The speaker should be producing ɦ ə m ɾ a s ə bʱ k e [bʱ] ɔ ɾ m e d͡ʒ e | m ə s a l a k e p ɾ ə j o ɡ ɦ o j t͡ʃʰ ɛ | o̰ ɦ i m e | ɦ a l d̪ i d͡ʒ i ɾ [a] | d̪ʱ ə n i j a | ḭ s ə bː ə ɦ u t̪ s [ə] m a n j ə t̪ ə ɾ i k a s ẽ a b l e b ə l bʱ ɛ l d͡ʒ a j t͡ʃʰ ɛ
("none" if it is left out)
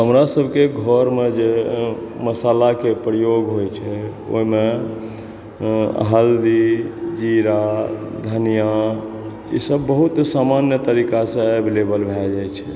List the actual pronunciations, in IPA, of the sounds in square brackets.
ɡʱ, a, a

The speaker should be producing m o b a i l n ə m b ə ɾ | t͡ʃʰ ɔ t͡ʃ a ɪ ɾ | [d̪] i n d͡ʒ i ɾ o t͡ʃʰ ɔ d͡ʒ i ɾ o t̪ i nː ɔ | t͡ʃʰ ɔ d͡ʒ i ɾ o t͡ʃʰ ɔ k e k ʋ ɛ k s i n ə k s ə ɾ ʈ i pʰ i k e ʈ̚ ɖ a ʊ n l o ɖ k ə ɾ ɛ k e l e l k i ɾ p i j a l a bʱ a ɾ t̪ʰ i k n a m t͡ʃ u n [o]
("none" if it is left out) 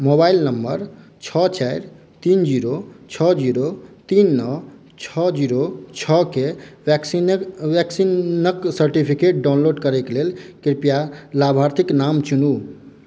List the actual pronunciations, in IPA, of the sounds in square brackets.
t̪, u

